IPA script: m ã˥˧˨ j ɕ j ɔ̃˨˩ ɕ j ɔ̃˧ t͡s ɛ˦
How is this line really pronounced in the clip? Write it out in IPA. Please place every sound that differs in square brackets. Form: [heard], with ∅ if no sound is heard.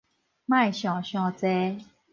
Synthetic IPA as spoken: m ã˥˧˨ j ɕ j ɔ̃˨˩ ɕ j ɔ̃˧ t͡s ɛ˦